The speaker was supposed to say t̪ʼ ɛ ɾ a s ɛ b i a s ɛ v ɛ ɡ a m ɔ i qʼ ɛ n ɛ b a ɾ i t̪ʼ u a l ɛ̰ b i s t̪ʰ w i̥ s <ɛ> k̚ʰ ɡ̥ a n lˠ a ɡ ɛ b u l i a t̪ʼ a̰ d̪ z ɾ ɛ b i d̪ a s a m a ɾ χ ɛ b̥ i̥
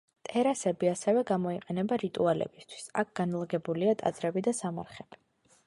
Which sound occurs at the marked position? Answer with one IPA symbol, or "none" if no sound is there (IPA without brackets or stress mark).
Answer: a